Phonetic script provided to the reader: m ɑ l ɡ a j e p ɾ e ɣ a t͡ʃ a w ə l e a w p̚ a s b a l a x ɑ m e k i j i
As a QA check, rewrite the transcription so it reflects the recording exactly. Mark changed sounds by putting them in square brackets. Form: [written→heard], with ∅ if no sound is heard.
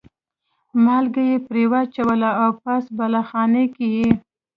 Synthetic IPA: m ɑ l ɡ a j e p ɾ e [ɣ→w] a t͡ʃ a w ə l [e→a] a w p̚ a s b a l a x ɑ [m→n] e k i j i